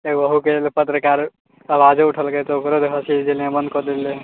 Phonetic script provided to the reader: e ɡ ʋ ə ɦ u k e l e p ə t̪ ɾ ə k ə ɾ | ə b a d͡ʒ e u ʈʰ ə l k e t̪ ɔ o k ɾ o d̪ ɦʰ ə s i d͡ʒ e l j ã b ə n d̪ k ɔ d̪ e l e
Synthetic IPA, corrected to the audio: e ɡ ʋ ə ɦ u k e l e p ə t̪ ɾ ə k a ɾ | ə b a d͡ʒ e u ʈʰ ə l k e t̪ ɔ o k ɾ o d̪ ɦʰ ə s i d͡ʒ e l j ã b ə n d̪ k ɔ d̪ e l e